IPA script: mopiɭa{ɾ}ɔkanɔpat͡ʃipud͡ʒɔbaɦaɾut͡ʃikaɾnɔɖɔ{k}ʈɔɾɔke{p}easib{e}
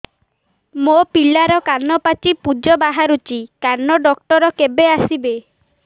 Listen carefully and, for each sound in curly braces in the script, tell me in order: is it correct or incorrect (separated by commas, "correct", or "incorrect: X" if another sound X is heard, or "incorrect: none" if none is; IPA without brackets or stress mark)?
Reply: correct, correct, incorrect: b, correct